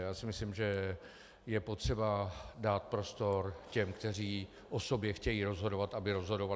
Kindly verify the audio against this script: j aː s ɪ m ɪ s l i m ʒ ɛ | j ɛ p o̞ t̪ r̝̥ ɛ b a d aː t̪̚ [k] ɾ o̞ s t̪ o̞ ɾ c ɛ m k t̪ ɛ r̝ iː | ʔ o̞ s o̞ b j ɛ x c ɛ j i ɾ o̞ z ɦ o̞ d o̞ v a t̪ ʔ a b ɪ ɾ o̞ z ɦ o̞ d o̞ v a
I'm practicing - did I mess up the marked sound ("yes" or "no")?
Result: yes